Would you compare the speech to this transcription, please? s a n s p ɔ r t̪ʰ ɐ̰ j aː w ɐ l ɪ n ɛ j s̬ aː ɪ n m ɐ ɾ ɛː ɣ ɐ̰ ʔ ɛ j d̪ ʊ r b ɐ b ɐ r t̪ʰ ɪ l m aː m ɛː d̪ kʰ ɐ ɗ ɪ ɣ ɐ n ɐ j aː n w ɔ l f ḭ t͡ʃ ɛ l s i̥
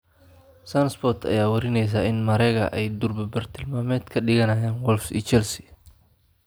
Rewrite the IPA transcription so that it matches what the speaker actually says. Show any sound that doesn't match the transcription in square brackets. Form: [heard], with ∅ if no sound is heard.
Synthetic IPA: s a n s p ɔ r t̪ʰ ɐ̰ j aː w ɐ [ɾ] ɪ n ɛ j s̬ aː ɪ n m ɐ ɾ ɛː ɣ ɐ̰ ʔ ɛ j d̪ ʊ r b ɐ b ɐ r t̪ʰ ɪ l m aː m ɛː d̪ kʰ ɐ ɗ ɪ ɣ ɐ n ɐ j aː n w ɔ l f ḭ t͡ʃ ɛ l s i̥

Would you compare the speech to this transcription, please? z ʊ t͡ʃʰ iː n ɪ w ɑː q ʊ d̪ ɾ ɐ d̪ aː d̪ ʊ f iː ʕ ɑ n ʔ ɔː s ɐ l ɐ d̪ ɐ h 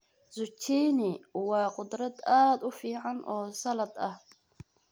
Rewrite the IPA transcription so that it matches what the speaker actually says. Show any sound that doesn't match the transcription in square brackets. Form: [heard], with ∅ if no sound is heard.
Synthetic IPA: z ʊ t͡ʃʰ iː n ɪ w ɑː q ʊ d̪ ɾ ɐ d̪ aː d̪ ʊ f iː ʕ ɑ n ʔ ɔː s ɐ l ɐ d̪ ɐ h

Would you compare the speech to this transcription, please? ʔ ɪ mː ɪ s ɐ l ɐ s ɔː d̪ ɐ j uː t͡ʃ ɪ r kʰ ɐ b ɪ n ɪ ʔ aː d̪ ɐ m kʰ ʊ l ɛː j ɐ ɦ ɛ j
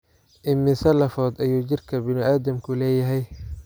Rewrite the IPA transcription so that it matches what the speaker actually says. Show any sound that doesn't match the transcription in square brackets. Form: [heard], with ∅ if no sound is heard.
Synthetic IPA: ʔ ɪ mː ɪ s ɐ l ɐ [f] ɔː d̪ ɐ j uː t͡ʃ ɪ r kʰ ɐ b ɪ n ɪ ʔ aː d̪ ɐ m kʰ ʊ l ɛː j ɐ ɦ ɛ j

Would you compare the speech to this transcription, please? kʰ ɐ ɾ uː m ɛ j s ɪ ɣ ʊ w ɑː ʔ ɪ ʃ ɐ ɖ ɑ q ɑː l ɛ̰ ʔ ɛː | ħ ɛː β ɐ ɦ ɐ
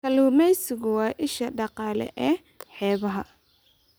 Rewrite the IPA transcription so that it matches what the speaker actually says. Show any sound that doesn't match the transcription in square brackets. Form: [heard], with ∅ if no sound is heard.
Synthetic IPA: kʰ ɐ [l] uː m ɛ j s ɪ ɣ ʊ w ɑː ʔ ɪ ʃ ɐ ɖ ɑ q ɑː l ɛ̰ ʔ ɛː | ħ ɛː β ɐ ɦ ɐ

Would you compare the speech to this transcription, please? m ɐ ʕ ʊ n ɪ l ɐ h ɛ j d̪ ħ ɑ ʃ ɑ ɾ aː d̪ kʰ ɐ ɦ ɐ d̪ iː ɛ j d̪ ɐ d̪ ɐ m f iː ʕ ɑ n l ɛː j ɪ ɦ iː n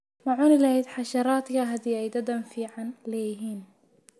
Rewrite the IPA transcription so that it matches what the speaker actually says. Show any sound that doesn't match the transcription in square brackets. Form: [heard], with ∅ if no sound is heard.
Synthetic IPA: m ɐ ʕ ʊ n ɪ l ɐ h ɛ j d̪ ħ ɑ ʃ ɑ ɾ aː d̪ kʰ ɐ ɦ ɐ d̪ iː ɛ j d̪ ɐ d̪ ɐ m f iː ʕ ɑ n l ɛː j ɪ ɦ iː n

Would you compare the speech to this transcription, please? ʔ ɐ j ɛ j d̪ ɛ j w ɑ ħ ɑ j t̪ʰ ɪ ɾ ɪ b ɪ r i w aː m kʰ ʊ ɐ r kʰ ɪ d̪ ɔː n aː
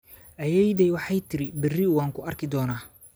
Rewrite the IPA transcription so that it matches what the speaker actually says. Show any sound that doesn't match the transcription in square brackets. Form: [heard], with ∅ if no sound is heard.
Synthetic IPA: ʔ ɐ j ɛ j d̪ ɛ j w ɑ ħ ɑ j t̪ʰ ɪ ɾ ɪ b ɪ r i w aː [ŋ] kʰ ʊ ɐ r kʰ ɪ d̪ ɔː n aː

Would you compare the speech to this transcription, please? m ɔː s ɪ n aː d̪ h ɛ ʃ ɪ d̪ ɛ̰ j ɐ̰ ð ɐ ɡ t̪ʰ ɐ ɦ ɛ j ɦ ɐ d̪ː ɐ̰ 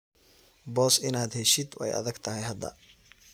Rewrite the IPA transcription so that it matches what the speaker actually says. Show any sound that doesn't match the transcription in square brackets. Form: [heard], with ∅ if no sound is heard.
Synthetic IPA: [b] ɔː s ɪ n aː d̪ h ɛ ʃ ɪ d̪ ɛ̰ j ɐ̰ ð ɐ ɡ t̪ʰ ɐ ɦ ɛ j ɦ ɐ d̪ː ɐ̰

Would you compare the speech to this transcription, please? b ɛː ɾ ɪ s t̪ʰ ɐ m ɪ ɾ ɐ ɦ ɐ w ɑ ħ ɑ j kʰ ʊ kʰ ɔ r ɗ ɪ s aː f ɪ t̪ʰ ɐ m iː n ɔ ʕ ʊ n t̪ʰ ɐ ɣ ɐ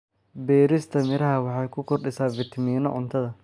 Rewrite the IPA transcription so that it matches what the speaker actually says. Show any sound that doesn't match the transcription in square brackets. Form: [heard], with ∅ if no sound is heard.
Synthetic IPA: b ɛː ɾ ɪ s t̪ʰ ɐ m ɪ ɾ ɐ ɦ ɐ w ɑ ħ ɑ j kʰ ʊ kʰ ɔ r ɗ ɪ s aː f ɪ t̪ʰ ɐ m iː n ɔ ʕ ʊ n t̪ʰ ɐ [ð] ɐ

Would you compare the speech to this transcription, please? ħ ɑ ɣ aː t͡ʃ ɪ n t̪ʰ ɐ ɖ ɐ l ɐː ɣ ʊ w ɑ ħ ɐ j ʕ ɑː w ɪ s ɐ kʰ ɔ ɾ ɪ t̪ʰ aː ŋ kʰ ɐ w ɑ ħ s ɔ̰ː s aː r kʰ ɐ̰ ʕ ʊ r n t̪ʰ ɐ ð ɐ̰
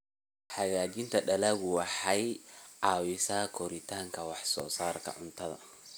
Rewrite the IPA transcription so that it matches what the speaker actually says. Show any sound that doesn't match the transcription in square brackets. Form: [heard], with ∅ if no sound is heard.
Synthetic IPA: ħ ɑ ɣ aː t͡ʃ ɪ n t̪ʰ ɐ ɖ ɐ l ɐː ɣ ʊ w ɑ ħ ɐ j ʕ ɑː w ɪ s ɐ kʰ ɔ ɾ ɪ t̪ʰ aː ŋ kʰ ɐ w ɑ ħ s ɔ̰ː s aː r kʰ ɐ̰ ʕ ʊ [∅] n t̪ʰ ɐ ð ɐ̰

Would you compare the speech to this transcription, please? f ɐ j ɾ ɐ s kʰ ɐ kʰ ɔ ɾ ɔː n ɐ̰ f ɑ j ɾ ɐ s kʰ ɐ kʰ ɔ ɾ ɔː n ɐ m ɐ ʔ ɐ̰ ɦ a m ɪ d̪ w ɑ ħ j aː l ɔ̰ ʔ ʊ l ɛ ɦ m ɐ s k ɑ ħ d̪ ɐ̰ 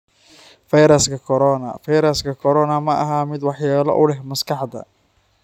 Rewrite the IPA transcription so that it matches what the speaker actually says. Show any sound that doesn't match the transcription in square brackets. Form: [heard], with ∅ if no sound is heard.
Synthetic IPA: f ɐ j ɾ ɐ s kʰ ɐ kʰ ɔ ɾ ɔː n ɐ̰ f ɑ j ɾ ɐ s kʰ ɐ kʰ ɔ ɾ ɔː n ɐ m ɐ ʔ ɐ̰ ɦ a m ɪ d̪ w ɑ ħ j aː l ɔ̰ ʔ ʊ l ɛ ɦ m ɐ s k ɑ ħ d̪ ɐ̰

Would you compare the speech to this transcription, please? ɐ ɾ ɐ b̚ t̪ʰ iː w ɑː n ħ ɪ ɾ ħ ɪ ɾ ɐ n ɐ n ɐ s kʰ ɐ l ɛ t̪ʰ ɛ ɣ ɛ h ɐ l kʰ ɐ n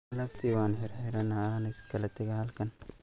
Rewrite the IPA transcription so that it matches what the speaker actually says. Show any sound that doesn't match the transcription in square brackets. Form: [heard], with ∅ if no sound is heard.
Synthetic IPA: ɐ [l] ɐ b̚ t̪ʰ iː w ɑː n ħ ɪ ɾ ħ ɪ ɾ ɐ n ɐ n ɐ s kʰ ɐ l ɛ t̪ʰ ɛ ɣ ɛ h ɐ l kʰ ɐ n

